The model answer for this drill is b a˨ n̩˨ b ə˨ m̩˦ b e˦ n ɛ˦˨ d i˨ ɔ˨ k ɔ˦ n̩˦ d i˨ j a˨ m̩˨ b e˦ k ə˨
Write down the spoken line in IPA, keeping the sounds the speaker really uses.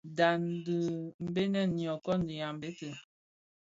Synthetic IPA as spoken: d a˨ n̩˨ d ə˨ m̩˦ b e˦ n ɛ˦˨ n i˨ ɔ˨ k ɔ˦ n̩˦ d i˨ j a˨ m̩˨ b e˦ t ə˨